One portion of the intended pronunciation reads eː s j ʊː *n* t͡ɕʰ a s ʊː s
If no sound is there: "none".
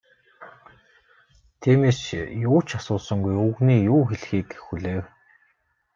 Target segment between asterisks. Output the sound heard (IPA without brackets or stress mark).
none